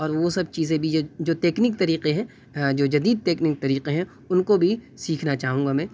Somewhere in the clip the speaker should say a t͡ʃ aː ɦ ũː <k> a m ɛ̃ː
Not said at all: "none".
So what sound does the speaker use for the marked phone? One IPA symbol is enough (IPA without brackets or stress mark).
ɡ